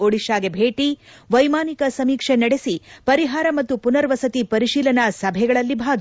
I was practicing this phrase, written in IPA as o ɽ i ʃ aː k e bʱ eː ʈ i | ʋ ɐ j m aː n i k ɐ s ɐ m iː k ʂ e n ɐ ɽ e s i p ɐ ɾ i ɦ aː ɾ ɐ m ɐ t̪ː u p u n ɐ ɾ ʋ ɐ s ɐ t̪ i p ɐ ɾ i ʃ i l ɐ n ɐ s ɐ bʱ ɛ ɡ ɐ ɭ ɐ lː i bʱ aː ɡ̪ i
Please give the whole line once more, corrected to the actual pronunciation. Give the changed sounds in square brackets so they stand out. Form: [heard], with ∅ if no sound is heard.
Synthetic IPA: o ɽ i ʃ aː [ɡ] e bʱ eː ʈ i | ʋ ɐ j m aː n i k ɐ s ɐ m iː k ʂ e n ɐ ɽ e s i p ɐ ɾ i ɦ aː ɾ ɐ m ɐ t̪ː u p u n ɐ ɾ ʋ ɐ s ɐ t̪ i p ɐ ɾ i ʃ [iː] l ɐ n ɐ s ɐ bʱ ɛ ɡ ɐ ɭ ɐ lː i bʱ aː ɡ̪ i